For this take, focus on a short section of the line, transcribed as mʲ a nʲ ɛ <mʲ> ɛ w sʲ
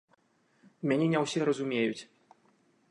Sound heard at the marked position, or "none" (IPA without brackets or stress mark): nʲ